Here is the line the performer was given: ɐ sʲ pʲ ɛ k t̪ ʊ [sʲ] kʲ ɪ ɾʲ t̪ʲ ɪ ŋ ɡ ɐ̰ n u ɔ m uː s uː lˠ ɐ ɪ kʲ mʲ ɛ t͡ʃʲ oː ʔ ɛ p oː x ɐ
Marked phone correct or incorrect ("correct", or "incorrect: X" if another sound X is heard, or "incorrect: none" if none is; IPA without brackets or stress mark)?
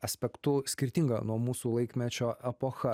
correct